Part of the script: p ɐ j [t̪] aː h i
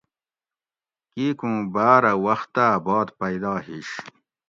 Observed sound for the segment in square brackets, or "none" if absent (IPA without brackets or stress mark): d̪